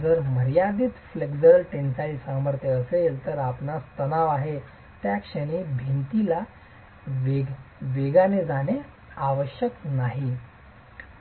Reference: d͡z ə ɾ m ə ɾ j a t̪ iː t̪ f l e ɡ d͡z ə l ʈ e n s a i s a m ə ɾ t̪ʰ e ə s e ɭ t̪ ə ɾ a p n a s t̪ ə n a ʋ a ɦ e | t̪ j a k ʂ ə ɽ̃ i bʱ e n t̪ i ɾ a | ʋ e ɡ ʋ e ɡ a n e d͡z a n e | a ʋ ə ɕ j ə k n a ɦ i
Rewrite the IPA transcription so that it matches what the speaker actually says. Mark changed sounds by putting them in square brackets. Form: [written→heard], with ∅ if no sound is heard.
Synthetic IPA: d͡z ə ɾ m ə ɾ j a [t̪→d̪] iː t̪ f l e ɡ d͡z ə l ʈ e n s a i s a m ə ɾ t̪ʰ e ə s e [ɭ→l] t̪ ə ɾ a p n a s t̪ ə n a ʋ a ɦ e | t̪ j a k ʂ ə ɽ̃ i bʱ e n t̪ i [ɾ→l] a | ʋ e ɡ ʋ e ɡ a n e d͡z a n e | a ʋ ə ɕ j ə k n a ɦ i

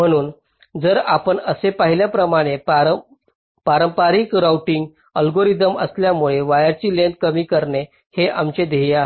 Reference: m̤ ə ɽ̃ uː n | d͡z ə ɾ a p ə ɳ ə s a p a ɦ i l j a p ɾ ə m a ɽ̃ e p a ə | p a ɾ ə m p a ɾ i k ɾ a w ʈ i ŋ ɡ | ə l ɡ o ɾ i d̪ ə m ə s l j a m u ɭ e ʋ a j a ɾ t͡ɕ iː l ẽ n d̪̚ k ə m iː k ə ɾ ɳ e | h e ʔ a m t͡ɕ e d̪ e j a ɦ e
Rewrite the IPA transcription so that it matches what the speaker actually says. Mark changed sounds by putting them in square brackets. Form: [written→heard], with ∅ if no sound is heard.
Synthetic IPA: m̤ ə ɽ̃ uː n | d͡z ə ɾ a p ə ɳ ə s [a→e] p a ɦ i l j a p ɾ ə m a ɽ̃ e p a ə | p a ɾ ə m p a ɾ i k ɾ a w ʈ i ŋ ɡ | ə l ɡ o ɾ i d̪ ə m ə s l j a m u ɭ e ʋ a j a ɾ t͡ɕ iː l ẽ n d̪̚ k ə m iː k ə ɾ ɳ e | h e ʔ a m t͡ɕ e d̪ e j a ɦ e

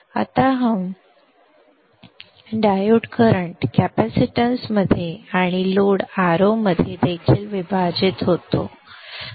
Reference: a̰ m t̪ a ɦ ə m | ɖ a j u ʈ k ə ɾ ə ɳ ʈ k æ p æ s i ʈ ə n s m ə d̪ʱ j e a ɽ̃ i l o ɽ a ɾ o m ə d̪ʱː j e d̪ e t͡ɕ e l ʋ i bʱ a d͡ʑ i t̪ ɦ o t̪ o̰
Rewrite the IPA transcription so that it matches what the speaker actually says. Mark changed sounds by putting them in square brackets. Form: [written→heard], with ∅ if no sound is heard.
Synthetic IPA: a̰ [m→∅] t̪ a ɦ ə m | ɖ a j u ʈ k ə ɾ ə ɳ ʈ k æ p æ s i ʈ ə n s m ə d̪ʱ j e a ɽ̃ i l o ɽ a ɾ o m ə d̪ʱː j e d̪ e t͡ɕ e l ʋ i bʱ a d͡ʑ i t̪ ɦ o t̪ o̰

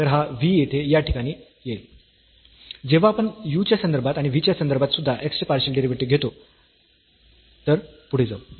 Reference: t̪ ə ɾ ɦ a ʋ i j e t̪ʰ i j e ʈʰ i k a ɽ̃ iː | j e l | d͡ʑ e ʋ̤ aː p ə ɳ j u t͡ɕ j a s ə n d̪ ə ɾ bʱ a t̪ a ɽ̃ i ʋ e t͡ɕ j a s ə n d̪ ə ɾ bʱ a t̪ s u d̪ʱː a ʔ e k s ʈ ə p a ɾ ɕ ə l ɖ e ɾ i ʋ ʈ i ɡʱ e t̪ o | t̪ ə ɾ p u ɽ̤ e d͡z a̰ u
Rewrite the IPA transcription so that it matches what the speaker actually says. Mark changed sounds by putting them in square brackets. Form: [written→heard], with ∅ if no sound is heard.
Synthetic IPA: t̪ ə ɾ ɦ a ʋ i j e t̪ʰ [i→e] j [e→a] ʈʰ i k a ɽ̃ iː | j e l | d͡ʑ e ʋ̤ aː p ə ɳ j u t͡ɕ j a s ə n d̪ ə ɾ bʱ a t̪ a ɽ̃ i ʋ [e→i] t͡ɕ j a s ə n d̪ ə ɾ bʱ a t̪ s u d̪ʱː a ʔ e k s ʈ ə p a ɾ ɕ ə l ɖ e ɾ i ʋ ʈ i ɡʱ e t̪ o | t̪ ə ɾ p u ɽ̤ e d͡z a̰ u

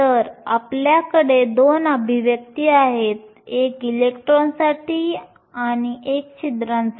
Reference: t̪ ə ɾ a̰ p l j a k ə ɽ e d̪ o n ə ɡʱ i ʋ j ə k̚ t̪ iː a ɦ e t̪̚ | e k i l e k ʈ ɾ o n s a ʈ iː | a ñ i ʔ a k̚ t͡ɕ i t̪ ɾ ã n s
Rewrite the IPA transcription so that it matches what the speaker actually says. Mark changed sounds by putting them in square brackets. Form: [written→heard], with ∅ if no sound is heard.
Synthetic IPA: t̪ ə ɾ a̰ p l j a k ə ɽ e d̪ o n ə [ɡʱ→bʱ] i ʋ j ə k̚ t̪ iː a ɦ e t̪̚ | e k i l e k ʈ ɾ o n s a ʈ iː | a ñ i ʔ [a→e] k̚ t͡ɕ i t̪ ɾ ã n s

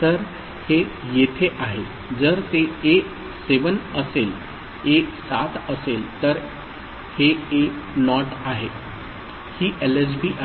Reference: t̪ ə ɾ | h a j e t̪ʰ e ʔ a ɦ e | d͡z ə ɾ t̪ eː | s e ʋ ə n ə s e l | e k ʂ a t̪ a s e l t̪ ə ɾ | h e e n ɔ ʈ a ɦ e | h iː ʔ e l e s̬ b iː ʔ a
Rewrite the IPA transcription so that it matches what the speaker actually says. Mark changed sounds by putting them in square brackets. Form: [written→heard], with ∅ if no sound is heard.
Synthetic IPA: t̪ ə ɾ | h [a→e] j e t̪ʰ e ʔ a ɦ e | d͡z ə ɾ t̪ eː | s e ʋ ə n ə s e l | e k [ʂ→s] a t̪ [a→ə] s e l t̪ ə ɾ | h e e n ɔ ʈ a ɦ e | h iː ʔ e l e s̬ b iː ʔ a

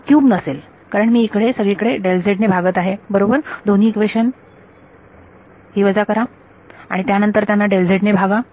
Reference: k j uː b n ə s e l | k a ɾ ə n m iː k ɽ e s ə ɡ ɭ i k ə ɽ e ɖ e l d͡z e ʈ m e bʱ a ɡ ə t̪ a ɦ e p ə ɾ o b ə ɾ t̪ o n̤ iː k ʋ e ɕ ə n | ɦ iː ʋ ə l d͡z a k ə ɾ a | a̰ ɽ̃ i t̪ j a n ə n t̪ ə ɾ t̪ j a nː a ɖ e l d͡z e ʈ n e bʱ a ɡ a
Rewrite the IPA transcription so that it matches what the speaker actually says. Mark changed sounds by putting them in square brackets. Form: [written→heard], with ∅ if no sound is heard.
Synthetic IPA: k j uː b n ə s e l | k a ɾ ə [n→ɳ] m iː k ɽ e s ə ɡ ɭ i k ə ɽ e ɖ e l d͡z e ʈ [m→n] e bʱ a ɡ ə t̪ a ɦ e [p→b] ə ɾ o b ə ɾ [t̪→d̪] o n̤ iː k ʋ e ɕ ə n | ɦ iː ʋ ə [l→∅] d͡z a k ə ɾ a | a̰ ɽ̃ i t̪ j a n ə n t̪ ə ɾ t̪ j a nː a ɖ e l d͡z e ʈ n e bʱ a ɡ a

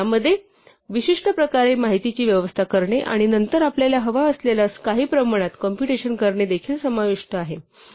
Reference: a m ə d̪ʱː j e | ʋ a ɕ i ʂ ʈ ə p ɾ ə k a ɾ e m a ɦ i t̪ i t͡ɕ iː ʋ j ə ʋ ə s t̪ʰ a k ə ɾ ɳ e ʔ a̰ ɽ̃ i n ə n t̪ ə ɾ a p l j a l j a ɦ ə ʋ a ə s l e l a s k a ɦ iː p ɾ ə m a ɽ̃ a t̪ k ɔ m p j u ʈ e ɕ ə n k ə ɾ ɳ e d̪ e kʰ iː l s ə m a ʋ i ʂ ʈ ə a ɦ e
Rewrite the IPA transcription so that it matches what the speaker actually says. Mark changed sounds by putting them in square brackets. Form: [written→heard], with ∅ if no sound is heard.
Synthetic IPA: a m ə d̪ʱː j e | ʋ [a→i] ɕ i ʂ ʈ ə p ɾ ə k a ɾ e m a ɦ i t̪ i t͡ɕ iː ʋ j ə ʋ ə s t̪ʰ a k ə ɾ ɳ e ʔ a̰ ɽ̃ i n ə n t̪ ə ɾ a p l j a l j a ɦ ə ʋ a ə s l e l a s k a ɦ iː p ɾ ə m a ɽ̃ a t̪ k ɔ m p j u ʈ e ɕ ə n k ə ɾ ɳ e d̪ e kʰ iː l s ə m a ʋ i ʂ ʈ ə a ɦ e

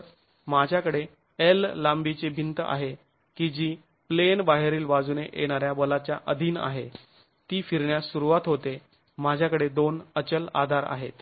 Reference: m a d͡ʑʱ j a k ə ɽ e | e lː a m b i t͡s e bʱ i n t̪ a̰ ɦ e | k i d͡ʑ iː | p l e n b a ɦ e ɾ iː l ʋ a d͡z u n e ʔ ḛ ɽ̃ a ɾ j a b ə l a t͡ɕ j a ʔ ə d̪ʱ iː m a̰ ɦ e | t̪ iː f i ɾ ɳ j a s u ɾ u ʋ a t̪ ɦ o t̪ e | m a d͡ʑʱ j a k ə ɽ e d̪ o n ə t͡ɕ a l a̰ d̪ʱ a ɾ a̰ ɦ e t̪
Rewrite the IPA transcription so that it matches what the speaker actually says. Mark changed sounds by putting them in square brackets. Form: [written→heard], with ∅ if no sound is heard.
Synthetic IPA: m a d͡ʑʱ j a k ə ɽ e | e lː a m b i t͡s e bʱ i n t̪ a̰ ɦ e | k i d͡ʑ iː | p l e n b a ɦ e ɾ iː l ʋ a d͡z u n e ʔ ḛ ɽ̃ a ɾ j a b ə l a t͡ɕ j a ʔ ə d̪ʱ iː [m→n] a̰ ɦ e | t̪ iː f i ɾ ɳ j a s u ɾ u ʋ a t̪ ɦ o t̪ e | m a d͡ʑʱ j a k ə ɽ e d̪ o n ə t͡ɕ [a→ə] l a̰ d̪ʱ a ɾ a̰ ɦ e t̪

